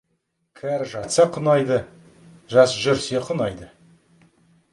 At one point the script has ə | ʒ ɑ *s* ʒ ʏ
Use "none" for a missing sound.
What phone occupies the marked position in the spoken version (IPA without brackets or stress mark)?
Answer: s